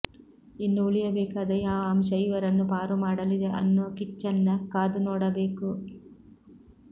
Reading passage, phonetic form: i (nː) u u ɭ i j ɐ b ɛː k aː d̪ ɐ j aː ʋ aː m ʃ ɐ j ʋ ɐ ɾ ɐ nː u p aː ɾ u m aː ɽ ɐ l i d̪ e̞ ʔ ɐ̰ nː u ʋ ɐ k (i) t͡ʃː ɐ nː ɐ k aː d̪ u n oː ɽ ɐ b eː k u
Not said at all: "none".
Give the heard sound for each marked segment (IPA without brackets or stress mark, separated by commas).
nː, i